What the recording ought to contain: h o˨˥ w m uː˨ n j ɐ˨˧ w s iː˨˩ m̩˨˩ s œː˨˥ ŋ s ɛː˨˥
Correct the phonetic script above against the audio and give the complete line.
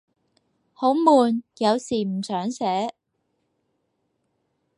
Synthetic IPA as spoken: h o˨˥ w m uː˨ n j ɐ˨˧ w s iː˨˩ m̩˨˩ s œː˨˥ ŋ s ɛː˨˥